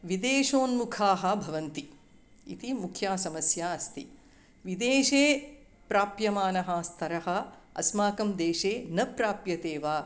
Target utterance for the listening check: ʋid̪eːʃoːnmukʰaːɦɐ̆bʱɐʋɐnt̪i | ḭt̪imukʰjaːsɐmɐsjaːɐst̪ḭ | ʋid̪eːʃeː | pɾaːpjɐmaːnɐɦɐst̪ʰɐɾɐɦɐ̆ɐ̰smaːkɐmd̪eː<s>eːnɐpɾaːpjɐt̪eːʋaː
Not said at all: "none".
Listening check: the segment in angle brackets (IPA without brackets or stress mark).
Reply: ʃ